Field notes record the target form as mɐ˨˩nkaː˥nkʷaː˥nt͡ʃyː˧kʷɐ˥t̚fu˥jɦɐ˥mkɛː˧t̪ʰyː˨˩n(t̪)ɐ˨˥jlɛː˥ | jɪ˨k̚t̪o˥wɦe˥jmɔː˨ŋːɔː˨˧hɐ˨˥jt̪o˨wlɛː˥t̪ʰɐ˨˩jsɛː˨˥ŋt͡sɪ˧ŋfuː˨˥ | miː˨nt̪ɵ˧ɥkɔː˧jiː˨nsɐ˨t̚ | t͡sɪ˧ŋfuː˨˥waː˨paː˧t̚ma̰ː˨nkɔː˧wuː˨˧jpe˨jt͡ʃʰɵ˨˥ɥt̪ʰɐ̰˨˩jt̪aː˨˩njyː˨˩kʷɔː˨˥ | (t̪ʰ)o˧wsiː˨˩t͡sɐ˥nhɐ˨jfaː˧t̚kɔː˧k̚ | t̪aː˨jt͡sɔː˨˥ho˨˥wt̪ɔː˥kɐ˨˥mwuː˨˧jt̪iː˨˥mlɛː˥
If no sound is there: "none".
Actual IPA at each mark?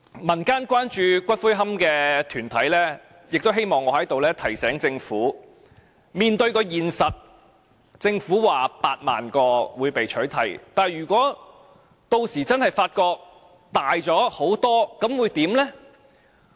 t̪ʰ, t̪

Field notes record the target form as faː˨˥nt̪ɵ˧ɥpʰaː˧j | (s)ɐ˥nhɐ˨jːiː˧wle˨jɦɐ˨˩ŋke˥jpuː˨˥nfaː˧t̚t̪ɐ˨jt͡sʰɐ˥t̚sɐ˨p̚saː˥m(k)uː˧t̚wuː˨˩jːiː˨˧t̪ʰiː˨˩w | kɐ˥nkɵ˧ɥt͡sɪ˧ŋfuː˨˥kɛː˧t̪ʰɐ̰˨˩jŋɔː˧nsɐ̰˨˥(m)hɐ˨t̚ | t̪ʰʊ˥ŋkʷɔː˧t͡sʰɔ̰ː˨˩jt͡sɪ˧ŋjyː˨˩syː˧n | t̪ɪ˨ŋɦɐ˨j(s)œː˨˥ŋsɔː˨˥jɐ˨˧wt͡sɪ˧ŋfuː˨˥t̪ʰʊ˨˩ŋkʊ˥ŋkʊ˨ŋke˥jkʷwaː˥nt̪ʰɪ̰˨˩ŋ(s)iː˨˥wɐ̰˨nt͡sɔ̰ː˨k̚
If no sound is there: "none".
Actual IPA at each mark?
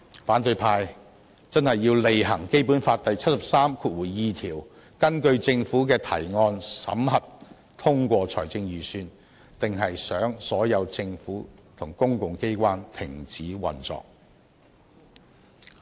t͡s, kʰ, m, s, t͡s

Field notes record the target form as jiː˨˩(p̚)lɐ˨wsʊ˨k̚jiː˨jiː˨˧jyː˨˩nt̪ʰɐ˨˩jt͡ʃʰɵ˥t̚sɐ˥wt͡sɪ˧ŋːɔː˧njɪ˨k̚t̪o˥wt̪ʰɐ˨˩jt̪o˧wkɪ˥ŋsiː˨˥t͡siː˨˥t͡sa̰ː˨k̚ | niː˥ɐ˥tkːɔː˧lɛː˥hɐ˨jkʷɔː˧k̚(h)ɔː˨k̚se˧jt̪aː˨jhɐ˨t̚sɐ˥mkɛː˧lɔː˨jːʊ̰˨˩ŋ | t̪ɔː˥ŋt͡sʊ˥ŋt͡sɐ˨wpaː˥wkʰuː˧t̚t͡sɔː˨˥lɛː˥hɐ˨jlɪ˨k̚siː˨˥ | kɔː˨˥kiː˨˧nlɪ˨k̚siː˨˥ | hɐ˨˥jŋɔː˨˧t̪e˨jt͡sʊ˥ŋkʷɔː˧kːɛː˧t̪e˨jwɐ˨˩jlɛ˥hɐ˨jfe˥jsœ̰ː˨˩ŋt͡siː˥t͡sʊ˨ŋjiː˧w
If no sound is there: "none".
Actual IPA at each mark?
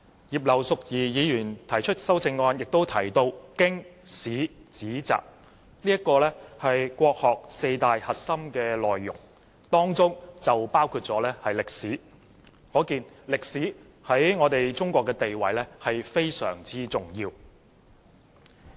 p̚, h

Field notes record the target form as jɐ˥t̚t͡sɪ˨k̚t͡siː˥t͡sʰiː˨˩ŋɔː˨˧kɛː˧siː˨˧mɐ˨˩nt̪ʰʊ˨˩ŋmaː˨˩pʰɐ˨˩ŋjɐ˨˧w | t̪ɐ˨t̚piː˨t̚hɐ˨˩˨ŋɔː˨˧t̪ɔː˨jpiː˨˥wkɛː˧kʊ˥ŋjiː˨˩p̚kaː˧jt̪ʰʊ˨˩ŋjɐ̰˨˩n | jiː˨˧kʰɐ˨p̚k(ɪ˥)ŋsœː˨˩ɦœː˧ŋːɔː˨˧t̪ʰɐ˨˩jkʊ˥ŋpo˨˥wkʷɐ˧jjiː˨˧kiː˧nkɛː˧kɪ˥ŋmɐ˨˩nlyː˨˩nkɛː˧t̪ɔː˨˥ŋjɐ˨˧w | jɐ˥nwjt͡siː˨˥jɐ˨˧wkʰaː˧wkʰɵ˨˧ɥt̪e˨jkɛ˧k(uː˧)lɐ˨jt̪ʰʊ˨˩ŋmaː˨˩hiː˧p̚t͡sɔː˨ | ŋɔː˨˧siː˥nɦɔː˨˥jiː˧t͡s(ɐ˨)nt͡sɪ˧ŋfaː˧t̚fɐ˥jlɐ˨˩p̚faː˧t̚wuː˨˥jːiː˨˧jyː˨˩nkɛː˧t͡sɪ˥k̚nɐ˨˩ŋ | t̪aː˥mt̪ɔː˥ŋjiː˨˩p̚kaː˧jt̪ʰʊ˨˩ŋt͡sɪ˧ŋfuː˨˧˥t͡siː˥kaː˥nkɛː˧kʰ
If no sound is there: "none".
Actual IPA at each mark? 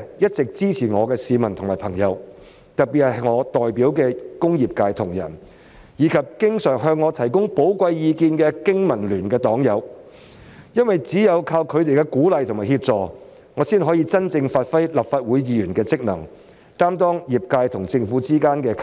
ɪ˥, uː˨˥, ɐ˥

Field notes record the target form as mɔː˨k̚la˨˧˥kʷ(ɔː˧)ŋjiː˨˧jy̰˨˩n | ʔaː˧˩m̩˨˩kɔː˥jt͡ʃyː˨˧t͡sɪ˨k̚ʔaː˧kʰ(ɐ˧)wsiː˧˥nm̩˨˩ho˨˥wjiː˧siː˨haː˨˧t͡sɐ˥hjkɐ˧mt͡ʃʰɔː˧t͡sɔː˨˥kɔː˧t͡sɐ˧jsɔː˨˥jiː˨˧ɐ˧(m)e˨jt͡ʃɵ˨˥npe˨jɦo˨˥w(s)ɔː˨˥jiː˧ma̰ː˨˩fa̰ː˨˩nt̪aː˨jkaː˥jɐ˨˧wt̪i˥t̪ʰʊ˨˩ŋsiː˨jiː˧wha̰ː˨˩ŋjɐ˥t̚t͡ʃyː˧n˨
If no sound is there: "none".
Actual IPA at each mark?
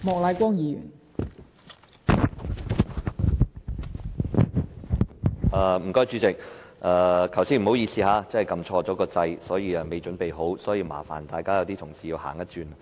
ɔː˥, ɐ˨˩, m, s

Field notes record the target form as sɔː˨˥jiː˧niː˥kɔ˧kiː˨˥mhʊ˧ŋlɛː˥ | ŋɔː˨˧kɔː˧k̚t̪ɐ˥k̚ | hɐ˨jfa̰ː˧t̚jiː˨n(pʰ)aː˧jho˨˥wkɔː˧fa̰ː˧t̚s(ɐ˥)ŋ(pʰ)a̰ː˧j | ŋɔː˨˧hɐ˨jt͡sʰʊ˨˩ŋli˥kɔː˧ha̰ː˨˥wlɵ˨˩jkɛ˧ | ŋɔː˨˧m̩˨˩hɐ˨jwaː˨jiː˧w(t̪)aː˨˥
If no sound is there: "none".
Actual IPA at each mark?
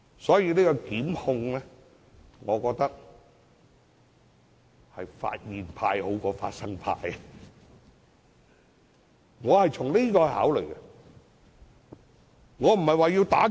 pʰ, ɐ˥, pʰ, t̪

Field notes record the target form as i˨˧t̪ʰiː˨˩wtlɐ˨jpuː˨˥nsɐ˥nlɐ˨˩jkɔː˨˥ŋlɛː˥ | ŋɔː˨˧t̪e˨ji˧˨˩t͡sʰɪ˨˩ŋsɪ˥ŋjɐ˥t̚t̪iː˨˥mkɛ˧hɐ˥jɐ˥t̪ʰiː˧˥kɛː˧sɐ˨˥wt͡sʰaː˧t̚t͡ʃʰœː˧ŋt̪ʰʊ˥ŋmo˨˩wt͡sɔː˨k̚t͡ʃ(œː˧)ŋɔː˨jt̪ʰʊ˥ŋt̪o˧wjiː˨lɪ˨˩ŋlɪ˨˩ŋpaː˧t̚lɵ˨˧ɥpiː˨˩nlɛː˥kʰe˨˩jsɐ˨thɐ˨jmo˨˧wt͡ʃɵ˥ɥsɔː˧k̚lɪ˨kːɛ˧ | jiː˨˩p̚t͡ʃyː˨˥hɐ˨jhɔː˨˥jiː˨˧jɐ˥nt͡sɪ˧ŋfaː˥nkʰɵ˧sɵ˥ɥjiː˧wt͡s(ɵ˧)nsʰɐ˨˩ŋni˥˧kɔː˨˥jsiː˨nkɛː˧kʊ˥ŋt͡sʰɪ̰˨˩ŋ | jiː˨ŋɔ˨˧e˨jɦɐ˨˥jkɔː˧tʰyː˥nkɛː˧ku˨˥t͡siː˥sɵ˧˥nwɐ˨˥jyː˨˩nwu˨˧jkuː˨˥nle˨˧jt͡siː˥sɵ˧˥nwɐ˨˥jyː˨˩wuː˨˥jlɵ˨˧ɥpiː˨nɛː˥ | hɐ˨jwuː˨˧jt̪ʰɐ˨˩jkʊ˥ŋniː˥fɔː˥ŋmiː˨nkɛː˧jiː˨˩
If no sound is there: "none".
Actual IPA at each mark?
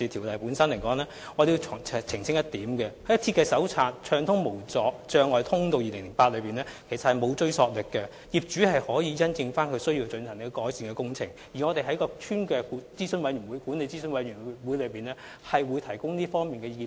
œː˧, ɵ˧

